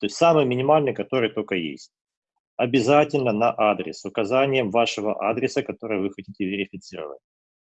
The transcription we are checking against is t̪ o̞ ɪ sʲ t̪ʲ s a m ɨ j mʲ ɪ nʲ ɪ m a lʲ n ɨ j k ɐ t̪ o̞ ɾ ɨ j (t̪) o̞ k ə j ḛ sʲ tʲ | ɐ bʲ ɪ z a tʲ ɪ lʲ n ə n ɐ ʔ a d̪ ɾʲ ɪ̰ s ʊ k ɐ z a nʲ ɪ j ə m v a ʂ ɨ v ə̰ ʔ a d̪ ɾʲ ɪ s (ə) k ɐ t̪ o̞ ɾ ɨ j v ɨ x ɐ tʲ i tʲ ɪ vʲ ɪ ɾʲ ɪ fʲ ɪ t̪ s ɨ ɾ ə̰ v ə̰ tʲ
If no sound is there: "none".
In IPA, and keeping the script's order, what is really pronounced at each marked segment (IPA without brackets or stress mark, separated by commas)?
t̪, ə